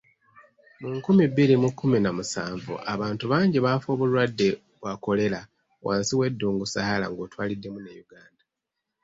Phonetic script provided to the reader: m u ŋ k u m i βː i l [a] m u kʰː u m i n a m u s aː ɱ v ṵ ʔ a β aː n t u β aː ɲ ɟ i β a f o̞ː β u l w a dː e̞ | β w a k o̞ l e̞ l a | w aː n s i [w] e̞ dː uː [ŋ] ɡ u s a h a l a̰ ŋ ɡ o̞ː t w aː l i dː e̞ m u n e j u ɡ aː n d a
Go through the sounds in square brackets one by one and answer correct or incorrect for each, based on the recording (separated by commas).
incorrect, correct, correct